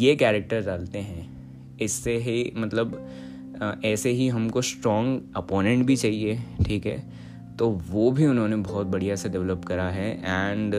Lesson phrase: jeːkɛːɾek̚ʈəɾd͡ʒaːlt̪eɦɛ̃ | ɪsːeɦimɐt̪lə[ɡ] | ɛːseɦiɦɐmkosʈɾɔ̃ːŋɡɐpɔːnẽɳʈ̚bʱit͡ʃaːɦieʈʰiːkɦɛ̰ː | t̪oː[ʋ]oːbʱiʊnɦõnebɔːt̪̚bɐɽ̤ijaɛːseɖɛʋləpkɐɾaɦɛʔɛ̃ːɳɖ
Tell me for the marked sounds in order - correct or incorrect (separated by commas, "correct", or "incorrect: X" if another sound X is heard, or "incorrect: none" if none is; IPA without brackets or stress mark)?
incorrect: b, correct